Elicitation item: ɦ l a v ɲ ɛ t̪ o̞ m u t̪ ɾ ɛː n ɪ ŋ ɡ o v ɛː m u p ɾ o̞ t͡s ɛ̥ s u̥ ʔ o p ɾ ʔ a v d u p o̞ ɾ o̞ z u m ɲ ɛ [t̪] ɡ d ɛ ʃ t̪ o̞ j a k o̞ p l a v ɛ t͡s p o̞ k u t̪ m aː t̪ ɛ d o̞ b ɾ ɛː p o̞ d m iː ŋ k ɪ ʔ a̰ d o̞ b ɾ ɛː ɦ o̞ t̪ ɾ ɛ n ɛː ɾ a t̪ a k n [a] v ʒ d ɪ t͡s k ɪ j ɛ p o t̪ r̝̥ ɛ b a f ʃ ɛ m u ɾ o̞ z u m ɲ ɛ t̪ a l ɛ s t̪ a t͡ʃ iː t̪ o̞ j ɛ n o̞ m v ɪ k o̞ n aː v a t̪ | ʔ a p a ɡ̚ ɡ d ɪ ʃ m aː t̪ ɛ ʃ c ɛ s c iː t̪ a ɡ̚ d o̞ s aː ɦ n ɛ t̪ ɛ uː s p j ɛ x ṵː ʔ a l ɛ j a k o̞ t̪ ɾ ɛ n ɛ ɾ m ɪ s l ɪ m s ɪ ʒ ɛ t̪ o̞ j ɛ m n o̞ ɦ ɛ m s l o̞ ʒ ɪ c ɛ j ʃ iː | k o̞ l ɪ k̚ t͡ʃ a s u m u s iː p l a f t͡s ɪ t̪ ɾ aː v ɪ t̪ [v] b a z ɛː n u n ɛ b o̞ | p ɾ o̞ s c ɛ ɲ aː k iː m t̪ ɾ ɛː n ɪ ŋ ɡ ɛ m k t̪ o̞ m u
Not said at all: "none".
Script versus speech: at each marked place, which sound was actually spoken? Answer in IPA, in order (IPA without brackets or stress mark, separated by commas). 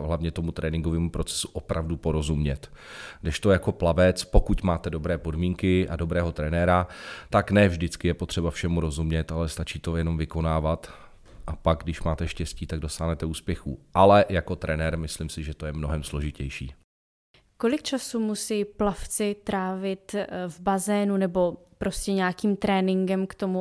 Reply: t̪, ɛ, v